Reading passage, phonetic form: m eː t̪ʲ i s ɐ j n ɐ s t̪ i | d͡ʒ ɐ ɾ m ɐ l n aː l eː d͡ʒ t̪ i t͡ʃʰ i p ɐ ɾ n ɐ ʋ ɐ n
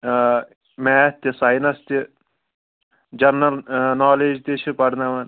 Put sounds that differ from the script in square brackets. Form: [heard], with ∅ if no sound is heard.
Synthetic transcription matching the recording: m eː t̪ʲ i s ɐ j n ɐ s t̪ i | d͡ʒ ɐ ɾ [n] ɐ l n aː l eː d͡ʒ t̪ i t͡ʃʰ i p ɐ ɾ n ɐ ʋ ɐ n